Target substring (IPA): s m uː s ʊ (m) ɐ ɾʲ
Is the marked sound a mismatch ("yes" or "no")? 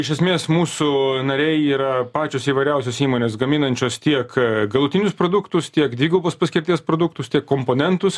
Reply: yes